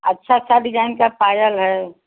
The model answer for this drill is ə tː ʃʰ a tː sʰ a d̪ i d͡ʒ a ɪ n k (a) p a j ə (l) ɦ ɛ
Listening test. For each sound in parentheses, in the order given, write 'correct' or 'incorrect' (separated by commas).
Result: correct, correct